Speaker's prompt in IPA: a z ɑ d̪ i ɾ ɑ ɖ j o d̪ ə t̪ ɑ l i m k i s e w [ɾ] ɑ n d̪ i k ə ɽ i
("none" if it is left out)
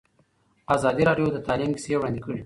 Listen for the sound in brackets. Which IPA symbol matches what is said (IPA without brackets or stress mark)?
ɽ